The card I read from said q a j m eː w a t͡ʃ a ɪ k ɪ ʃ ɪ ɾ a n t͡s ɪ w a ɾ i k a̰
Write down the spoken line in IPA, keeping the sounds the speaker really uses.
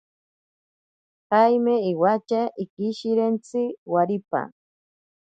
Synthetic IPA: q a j m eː w a t͡ʃ a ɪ k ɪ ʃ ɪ ɾ e n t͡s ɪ w a ɾ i p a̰

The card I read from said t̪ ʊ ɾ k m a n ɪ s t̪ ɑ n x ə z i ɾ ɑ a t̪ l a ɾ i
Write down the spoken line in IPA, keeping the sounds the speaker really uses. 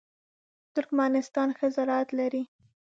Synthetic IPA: t̪ ʊ ɾ k m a n ɪ s t̪ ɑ n x ə z a ɾ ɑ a t̪ l a ɾ i

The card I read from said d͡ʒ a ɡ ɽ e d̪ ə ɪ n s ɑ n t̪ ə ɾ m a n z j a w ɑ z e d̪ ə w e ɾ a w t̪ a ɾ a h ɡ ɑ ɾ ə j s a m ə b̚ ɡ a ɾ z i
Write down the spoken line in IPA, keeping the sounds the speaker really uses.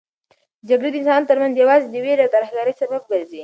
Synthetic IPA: d͡ʒ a ɡ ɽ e d̪ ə ɪ n s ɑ n t̪ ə ɾ m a n z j a w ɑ z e d̪ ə w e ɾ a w t̪ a ɾ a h ɡ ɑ ɾ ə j s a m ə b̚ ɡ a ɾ z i

